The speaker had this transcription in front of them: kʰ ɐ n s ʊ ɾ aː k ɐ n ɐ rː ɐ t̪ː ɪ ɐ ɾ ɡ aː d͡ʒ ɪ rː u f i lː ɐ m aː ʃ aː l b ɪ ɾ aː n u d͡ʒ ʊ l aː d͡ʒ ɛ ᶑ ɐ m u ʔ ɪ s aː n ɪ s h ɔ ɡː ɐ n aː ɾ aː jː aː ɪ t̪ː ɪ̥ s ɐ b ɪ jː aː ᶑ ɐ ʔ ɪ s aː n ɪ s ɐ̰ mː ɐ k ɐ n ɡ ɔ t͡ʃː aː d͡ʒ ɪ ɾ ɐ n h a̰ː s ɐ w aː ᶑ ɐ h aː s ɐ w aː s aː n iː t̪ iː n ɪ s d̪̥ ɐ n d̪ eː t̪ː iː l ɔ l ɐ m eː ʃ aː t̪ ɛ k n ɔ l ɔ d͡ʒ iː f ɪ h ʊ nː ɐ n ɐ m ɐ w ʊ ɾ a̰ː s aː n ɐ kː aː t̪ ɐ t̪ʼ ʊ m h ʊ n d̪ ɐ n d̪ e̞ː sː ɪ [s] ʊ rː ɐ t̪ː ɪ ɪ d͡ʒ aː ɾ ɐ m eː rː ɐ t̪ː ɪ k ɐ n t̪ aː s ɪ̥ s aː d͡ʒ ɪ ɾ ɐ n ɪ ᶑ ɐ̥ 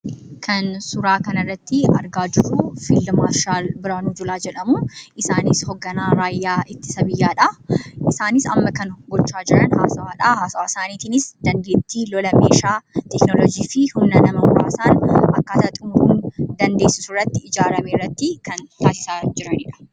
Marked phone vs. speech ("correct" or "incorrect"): correct